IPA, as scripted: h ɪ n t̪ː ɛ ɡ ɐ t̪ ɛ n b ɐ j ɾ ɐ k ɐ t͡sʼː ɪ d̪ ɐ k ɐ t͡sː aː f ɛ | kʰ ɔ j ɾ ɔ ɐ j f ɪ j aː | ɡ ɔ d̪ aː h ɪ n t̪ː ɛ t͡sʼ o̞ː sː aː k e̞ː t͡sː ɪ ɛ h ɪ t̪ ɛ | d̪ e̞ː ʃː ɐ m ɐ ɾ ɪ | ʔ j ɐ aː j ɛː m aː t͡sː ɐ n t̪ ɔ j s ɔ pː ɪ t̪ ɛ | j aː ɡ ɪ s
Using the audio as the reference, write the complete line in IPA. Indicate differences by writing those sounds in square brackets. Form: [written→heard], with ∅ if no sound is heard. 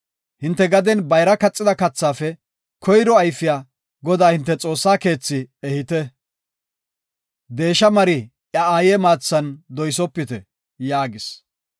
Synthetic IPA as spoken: h ɪ n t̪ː ɛ ɡ ɐ [t̪→d̪] ɛ n b ɐ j ɾ ɐ k ɐ t͡sʼː ɪ d̪ ɐ k ɐ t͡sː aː f ɛ | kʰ ɔ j ɾ ɔ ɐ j f ɪ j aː | ɡ ɔ d̪ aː h ɪ n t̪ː ɛ t͡sʼ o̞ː sː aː k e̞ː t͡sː ɪ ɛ h ɪ t̪ ɛ | d̪ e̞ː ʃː ɐ m ɐ ɾ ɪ | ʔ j ɐ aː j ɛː m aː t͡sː ɐ n [t̪→d̪] ɔ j s ɔ pː ɪ t̪ ɛ | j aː ɡ ɪ s